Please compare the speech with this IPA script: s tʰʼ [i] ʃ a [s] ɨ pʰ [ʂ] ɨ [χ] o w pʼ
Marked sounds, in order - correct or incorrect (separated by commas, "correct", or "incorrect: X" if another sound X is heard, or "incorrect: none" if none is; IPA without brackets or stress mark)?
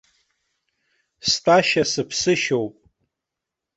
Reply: incorrect: a, correct, incorrect: s, incorrect: ʃ